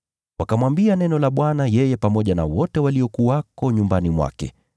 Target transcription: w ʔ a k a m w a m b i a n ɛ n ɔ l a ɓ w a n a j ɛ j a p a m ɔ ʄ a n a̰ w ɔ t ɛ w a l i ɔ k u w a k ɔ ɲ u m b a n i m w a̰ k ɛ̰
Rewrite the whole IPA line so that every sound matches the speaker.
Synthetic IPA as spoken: w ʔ a k a m w a m b i a n ɛ n ɔ l a ɓ w a n a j ɛ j ɛ p a m ɔ ʄ a n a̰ w ɔ t ɛ w a l i ɔ k u w a k ɔ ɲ u m b a n i m w a̰ k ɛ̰

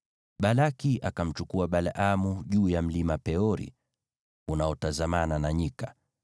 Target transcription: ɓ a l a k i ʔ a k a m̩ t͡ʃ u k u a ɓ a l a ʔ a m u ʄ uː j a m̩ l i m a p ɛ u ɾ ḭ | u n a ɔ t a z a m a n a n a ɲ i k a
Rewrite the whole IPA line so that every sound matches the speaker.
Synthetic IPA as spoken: ɓ a l a k i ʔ a k a m̩ t͡ʃ u k u a ɓ a l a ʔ a m u ʄ uː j a m̩ l i m a p ɛ ɔ ɾ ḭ | u n a ɔ t a z a m a n a n a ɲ i k a

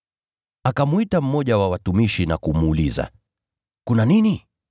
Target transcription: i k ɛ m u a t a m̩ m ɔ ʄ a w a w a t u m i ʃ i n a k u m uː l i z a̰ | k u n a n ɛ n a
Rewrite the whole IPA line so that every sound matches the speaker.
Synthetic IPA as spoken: a k a m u i t a m̩ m ɔ ʄ a w a w a t u m i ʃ i n a k u m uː l i z a̰ | k u n a n i n i

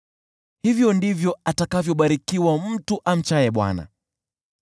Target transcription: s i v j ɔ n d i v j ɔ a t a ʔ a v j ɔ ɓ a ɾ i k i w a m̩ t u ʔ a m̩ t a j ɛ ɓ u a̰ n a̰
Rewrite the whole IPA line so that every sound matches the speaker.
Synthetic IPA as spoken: h i v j ɔ n d i v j ɔ a t a k a v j ɔ ɓ a ɾ i k i w a m̩ t u ʔ a m̩ t͡ʃ a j ɛ ɓ w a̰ n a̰

